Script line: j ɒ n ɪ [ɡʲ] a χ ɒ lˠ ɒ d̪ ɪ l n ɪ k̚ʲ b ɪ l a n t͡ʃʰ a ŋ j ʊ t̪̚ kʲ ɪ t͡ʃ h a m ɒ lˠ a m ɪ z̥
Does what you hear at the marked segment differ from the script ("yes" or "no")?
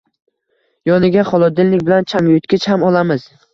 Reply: no